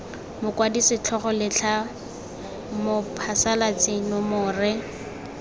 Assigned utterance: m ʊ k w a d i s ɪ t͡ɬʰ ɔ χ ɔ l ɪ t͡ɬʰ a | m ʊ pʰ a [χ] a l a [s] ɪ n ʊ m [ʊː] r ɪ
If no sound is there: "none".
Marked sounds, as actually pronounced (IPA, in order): s, t͡s, ʊː

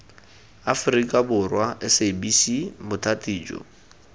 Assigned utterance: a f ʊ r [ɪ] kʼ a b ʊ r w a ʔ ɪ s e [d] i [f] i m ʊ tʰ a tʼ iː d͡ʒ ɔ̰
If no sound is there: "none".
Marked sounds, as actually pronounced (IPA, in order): i, b, s

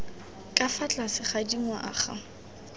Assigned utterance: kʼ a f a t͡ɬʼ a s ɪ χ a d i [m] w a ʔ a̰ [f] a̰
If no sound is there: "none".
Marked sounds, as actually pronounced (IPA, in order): ŋ, χ

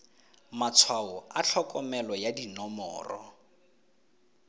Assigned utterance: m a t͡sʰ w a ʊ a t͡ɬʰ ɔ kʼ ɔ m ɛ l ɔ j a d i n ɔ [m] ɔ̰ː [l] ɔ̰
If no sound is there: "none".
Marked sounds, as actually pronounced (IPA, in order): m, r

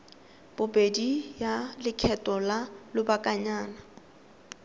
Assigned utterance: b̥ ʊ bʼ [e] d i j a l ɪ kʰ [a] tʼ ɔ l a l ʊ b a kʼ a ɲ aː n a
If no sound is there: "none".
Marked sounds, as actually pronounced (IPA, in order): e, ɛ

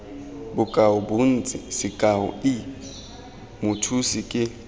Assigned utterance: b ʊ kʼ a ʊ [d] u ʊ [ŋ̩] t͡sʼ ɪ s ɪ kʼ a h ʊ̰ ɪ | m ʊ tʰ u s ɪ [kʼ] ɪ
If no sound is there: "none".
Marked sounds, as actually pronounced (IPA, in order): b, n̩, kʼ

